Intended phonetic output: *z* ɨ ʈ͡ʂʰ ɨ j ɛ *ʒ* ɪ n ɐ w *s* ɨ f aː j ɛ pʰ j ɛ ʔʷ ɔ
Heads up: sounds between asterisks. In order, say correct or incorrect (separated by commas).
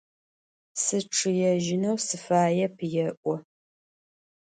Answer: incorrect, correct, correct